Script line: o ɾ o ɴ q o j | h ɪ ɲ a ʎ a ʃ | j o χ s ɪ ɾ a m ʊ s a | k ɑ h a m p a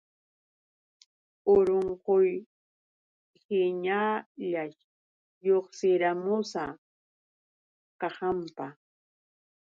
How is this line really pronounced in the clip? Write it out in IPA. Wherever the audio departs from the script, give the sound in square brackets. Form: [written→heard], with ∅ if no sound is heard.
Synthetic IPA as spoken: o ɾ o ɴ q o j | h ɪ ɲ a ʎ a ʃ | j o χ s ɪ ɾ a m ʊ s a | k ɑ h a m p a